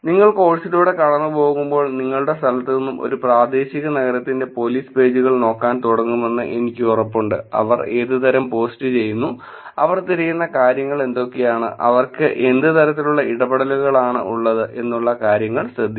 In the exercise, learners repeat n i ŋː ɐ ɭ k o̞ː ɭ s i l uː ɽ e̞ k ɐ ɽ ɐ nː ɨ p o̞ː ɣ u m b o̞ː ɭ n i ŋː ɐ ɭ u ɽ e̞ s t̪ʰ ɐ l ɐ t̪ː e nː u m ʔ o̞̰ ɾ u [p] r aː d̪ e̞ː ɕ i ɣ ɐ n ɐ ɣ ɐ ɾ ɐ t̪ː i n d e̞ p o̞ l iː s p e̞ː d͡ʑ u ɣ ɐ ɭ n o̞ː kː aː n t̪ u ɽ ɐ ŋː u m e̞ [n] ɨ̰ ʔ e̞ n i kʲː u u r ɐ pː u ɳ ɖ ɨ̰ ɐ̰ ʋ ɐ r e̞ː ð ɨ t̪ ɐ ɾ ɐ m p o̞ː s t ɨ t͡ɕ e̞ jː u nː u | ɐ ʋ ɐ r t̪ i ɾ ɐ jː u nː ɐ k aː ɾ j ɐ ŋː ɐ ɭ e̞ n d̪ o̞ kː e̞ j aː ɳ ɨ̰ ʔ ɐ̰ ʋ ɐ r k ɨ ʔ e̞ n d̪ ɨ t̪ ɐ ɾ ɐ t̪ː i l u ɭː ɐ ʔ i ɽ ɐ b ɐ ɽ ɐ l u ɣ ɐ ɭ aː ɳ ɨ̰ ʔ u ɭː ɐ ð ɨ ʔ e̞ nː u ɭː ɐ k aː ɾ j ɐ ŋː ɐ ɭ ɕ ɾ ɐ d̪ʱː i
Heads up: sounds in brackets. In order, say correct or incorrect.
correct, incorrect: nː

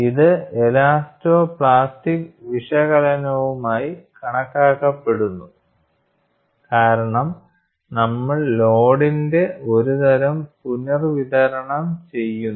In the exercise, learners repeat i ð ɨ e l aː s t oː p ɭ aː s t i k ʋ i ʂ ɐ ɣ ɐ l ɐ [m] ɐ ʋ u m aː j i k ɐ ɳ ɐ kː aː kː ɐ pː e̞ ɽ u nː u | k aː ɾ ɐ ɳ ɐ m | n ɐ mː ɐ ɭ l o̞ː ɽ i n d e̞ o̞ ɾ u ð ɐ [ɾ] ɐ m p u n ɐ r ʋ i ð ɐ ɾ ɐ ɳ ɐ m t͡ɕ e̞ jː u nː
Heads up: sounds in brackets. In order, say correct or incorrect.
incorrect: n, correct

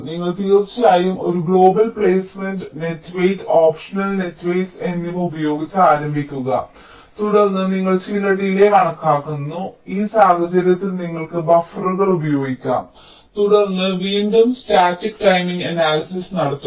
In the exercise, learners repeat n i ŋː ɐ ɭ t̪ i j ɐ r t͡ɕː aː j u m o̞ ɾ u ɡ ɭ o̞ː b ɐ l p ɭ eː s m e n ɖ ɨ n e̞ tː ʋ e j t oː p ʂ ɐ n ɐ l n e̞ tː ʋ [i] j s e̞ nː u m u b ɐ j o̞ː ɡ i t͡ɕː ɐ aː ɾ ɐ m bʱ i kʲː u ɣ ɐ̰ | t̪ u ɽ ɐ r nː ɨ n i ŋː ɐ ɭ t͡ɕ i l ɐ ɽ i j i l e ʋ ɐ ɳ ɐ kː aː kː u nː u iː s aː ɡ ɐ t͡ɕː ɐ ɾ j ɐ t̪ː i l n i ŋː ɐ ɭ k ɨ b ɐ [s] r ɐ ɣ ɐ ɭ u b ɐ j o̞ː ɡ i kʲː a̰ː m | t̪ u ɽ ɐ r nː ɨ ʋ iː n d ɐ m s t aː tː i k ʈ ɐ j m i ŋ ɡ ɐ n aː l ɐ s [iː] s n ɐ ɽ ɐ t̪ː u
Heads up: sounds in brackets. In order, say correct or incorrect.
incorrect: e, incorrect: f, incorrect: i

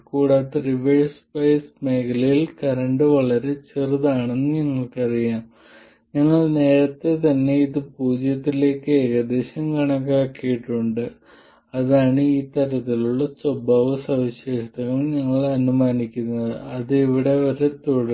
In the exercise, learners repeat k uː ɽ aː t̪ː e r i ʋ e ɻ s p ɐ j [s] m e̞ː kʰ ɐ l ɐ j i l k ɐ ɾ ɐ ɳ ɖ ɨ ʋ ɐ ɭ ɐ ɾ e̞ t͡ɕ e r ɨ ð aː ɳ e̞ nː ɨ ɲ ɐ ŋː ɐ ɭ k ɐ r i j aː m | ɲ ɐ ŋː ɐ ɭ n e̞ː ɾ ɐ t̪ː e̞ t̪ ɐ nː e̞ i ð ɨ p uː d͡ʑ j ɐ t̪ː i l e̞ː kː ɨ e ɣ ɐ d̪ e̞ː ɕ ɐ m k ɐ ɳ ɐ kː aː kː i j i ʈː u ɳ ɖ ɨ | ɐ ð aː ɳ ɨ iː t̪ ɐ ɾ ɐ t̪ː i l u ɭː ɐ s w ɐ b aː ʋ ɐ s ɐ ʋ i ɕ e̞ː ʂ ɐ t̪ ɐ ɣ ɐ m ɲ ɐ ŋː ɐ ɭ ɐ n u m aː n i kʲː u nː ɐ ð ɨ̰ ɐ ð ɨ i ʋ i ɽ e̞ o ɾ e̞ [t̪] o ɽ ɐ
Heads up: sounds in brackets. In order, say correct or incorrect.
correct, correct

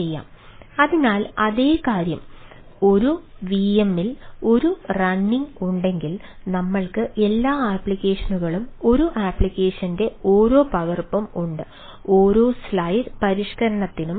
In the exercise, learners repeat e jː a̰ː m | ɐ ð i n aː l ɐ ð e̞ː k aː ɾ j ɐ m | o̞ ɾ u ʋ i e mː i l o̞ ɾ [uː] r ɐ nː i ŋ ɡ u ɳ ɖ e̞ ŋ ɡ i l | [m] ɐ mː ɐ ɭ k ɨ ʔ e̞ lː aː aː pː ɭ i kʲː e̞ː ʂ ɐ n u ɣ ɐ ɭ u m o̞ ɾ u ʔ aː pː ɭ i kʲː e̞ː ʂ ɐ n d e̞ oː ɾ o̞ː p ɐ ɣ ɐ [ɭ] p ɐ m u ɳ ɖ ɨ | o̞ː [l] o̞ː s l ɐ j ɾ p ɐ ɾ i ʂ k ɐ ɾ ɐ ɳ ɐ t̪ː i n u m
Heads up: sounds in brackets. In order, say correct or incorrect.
incorrect: u, incorrect: n, incorrect: r, incorrect: ɾ

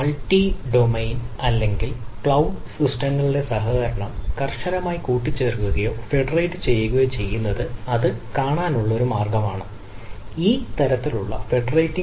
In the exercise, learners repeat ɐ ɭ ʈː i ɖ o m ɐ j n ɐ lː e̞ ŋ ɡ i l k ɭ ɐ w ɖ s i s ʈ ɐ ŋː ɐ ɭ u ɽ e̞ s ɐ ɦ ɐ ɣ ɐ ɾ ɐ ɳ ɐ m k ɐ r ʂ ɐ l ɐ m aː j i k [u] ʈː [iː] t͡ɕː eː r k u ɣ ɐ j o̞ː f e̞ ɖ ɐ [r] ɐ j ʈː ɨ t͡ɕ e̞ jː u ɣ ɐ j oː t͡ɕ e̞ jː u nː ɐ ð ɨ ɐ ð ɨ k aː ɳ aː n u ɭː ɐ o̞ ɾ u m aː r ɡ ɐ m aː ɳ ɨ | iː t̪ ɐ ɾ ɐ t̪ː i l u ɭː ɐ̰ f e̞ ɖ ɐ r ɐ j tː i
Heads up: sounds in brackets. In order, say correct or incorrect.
incorrect: uː, incorrect: i, correct

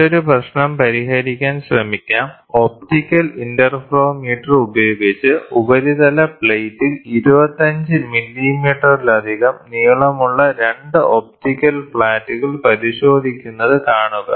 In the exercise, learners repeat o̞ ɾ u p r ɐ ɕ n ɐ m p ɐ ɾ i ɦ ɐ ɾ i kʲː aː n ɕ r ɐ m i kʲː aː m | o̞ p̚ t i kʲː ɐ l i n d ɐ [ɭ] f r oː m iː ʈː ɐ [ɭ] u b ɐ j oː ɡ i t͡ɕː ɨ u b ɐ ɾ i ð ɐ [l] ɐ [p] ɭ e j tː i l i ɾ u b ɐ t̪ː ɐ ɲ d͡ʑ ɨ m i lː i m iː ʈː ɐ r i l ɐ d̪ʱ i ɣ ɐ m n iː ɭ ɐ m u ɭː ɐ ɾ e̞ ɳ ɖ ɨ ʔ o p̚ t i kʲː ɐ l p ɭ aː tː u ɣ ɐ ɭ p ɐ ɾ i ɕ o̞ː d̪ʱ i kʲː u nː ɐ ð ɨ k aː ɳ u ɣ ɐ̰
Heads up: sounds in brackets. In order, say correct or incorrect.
incorrect: r, incorrect: r, correct, correct

